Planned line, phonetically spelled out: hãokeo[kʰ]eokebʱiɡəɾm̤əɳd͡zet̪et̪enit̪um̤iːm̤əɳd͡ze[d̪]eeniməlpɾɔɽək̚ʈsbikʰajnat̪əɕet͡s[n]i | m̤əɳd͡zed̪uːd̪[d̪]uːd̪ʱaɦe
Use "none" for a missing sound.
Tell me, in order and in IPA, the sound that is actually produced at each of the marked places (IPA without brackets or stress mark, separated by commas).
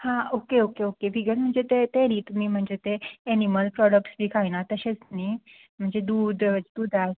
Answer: k, t̪, n, d̪